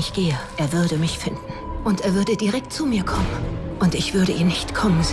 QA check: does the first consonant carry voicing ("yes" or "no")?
no